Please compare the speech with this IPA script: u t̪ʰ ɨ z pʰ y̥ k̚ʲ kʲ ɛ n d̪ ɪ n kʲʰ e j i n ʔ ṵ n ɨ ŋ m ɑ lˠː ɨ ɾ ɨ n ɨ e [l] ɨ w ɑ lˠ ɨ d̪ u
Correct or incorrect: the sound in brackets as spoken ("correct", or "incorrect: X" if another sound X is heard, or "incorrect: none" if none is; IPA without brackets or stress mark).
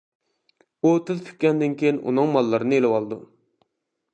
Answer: correct